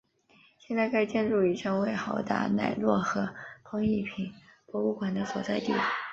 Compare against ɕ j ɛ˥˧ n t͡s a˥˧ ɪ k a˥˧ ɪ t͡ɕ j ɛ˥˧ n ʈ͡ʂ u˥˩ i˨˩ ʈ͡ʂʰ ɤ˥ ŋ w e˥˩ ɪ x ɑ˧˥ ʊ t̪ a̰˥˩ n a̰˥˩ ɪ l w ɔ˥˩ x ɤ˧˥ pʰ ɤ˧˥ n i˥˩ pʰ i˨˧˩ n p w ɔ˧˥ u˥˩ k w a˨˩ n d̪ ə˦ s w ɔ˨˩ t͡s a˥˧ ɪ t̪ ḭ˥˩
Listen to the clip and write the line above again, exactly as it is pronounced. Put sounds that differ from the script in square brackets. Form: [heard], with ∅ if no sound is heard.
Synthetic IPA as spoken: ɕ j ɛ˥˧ n t͡s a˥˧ ɪ k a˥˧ ɪ t͡ɕ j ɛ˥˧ n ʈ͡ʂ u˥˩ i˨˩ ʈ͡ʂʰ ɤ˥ ŋ w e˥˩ ɪ x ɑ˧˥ ʊ t̪ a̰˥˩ n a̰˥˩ ɪ l w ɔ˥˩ x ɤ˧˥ pʰ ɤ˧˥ [ŋ] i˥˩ pʰ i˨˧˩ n p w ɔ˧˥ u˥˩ k w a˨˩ n d̪ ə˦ s w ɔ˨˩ t͡s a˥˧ ɪ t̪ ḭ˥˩